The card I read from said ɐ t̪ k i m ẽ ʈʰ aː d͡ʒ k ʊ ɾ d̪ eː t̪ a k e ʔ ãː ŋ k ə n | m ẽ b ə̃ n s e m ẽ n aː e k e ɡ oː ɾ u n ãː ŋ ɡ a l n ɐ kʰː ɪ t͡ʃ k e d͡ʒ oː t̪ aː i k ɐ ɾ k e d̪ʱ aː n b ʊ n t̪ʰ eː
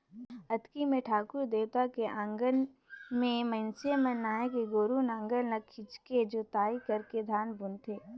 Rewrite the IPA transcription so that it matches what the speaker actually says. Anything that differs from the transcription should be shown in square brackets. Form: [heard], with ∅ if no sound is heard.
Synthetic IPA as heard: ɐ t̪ k i m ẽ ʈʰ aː [∅] k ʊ ɾ d̪ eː t̪ a k e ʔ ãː ŋ [ɡ] ə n | m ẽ [m] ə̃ n s e m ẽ n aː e k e ɡ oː ɾ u n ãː ŋ ɡ [ə] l n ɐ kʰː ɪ t͡ʃ k e d͡ʒ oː t̪ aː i k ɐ ɾ k e d̪ʱ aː n b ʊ n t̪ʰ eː